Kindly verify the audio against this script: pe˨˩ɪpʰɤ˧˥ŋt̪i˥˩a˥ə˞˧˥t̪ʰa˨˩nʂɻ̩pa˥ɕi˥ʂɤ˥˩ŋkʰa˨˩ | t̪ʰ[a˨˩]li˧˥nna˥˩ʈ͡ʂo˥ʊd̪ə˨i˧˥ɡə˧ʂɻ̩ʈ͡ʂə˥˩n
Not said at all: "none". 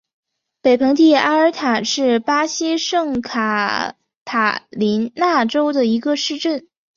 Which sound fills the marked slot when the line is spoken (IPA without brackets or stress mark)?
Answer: a˨˩